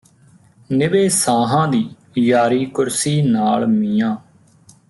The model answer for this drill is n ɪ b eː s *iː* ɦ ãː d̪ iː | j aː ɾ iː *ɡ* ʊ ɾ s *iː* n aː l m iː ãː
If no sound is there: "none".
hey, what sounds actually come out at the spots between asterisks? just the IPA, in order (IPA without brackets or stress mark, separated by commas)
aː, k, iː